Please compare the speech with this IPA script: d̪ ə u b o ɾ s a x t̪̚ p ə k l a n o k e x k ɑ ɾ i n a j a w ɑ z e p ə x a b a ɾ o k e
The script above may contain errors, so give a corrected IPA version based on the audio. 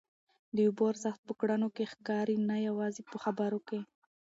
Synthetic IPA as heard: d̪ ə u b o ɾ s a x t̪̚ p ə k ɽ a n o k e x k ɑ ɾ i n a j a w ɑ z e p ə x a b a ɾ o k e